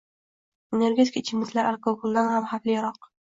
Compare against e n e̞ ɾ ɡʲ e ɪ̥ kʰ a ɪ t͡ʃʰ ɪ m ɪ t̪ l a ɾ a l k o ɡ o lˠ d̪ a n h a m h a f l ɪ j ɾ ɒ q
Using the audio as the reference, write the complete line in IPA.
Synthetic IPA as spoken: e n e̞ ɾ ɡʲ e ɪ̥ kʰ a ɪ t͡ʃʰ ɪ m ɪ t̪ l a ɾ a l k o ɡ o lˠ d̪ a n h a m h a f l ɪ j ɾ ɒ q